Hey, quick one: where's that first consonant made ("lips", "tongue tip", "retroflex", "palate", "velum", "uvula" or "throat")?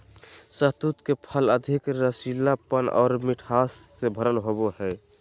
tongue tip